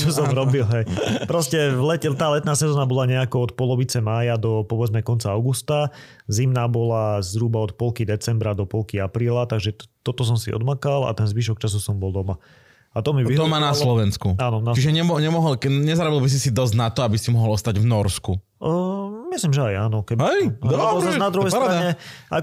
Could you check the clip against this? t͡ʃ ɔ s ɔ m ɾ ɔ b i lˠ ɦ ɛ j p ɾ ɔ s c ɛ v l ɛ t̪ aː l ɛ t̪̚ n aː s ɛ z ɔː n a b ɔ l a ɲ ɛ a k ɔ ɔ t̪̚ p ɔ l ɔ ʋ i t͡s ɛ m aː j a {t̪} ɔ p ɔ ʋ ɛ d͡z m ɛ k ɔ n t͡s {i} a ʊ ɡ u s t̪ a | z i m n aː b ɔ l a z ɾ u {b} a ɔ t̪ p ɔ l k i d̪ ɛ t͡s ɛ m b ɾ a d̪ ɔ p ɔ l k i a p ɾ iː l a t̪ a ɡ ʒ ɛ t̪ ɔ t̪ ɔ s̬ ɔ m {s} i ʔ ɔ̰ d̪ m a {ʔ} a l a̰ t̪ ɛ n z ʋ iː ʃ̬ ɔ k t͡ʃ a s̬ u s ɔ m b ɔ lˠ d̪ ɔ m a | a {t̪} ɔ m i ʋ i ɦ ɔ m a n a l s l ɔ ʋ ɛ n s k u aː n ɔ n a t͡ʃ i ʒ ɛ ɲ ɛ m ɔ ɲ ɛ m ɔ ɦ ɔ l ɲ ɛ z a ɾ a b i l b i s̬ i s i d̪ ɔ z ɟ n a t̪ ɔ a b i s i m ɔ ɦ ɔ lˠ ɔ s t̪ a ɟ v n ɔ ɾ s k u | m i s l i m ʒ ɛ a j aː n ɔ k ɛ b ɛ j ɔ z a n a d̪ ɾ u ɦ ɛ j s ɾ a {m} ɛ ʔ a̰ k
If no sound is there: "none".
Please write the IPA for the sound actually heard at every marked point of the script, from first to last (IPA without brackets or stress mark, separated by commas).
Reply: d̪, a, b, s, k, t̪, ɲ